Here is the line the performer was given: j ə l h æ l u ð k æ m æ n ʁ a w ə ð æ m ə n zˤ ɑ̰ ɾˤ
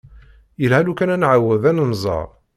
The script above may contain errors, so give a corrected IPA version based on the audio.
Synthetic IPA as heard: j ə l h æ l u k æ n æ n ʕ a w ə ð æ n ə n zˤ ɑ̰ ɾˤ

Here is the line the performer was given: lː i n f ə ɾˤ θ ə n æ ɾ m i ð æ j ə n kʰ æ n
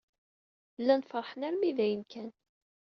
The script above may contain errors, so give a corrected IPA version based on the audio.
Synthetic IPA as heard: lː æ n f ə ɾˤ ħ ə n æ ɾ m i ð æ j ə n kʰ æ n

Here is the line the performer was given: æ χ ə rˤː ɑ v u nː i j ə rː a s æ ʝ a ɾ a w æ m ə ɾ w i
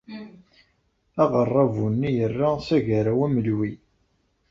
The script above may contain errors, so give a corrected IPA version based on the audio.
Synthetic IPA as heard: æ ʁ ə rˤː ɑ v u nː i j ə rː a s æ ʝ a ɾ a w æ m ə l w i

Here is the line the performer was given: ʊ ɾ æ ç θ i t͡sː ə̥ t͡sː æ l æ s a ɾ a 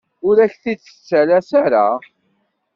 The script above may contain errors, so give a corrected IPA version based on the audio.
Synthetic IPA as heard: ʊ ɾ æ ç θ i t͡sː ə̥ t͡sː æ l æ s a ɾ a

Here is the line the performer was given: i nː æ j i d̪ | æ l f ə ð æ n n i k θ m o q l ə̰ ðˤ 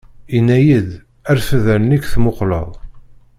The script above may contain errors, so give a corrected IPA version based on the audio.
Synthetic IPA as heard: i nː æ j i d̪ | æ ɾ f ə ð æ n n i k θ m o q l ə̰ ðˤ

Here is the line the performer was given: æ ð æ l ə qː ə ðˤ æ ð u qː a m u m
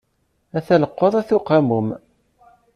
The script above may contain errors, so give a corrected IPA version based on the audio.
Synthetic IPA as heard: æ θ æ l ə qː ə ðˤ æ θ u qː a m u m

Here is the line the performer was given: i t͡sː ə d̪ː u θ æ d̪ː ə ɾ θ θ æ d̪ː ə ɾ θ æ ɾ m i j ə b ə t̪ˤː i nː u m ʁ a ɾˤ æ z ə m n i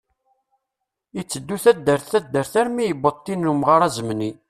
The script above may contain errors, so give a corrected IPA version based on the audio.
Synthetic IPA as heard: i t͡sː ə d̪ː u θ æ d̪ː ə ɾ θ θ æ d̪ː ə ɾ θ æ ɾ m i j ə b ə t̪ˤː i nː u m ʁ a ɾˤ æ z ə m n i

